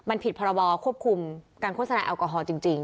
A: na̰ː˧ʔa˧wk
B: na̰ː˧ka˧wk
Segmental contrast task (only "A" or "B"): A